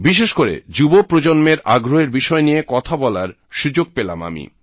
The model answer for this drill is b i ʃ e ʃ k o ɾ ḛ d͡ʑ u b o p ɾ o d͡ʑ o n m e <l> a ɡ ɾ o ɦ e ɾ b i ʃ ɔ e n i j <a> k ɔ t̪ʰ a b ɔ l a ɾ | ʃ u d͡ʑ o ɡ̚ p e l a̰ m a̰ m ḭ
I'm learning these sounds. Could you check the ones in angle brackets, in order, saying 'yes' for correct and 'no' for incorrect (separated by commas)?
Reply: no, no